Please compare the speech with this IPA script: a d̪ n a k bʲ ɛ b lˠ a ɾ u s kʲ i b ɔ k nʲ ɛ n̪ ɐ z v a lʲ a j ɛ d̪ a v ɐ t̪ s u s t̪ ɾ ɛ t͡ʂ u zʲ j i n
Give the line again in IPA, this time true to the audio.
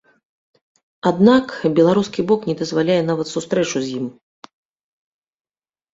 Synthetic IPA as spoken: a d̪ n a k bʲ ɛ lˠ a ɾ u s kʲ i b ɔ k nʲ ɛ d̪ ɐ z v a lʲ a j ɛ n̪ a v ɐ t̪ s u s t̪ ɾ ɛ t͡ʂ u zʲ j i m